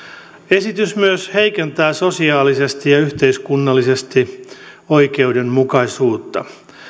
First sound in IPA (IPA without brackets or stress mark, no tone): e̞